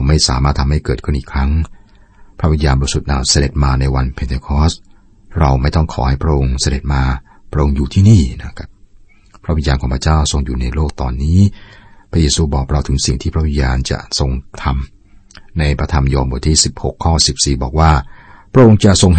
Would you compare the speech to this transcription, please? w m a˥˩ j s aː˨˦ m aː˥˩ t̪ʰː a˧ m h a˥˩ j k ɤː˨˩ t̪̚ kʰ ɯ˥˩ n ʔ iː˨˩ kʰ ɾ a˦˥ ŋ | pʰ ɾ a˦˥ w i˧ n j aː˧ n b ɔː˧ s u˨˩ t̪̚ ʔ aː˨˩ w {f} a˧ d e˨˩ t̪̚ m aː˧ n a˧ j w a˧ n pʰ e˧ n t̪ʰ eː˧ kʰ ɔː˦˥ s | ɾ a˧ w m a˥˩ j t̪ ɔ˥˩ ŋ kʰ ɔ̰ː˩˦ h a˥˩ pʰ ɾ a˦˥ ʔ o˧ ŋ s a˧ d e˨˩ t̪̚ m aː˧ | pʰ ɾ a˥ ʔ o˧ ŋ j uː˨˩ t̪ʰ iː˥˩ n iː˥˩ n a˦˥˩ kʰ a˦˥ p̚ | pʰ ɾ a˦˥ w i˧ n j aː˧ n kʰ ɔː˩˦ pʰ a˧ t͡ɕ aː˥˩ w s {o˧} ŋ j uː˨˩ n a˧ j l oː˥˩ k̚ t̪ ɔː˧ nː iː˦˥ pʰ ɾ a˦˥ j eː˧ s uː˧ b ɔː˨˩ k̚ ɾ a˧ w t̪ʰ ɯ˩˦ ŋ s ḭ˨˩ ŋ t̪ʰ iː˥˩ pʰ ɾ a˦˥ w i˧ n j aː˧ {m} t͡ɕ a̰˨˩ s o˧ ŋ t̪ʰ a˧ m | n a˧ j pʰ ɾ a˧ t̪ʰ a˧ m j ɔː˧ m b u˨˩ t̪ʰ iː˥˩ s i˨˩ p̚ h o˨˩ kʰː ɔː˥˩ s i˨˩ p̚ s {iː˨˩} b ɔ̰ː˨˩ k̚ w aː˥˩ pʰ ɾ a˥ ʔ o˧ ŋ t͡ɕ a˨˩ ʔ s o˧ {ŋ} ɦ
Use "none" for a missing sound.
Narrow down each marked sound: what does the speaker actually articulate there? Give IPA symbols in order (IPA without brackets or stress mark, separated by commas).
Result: s, o˧, n, iː˨˩, ŋ